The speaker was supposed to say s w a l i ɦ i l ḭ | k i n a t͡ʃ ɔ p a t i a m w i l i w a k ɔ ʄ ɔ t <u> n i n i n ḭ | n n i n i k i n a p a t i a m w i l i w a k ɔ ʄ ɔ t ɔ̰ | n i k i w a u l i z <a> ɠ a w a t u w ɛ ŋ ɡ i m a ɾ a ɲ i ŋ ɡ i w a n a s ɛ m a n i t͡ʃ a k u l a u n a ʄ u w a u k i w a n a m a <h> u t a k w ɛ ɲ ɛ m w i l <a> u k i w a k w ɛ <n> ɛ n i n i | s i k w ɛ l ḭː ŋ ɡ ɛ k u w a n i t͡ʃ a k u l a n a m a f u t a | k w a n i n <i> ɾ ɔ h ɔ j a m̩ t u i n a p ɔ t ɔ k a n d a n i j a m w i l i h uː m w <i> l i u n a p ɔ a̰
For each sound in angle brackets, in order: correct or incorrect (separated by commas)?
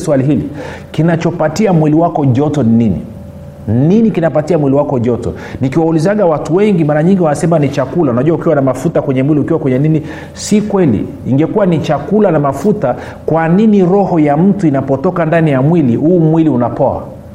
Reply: incorrect, correct, incorrect, incorrect, incorrect, correct, correct